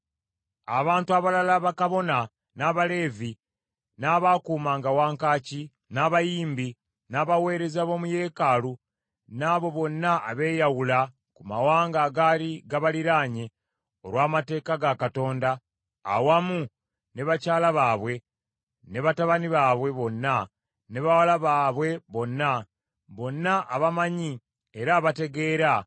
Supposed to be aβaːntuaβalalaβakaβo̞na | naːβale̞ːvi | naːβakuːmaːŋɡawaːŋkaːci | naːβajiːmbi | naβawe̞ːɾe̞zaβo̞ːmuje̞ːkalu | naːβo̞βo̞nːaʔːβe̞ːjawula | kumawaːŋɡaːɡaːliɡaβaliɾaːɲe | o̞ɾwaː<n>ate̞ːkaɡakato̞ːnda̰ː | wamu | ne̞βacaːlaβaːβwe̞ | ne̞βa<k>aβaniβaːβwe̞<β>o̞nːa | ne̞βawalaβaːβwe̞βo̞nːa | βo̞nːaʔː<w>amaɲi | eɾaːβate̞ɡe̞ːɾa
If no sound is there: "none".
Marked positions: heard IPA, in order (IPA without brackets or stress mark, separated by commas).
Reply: m, t, β, β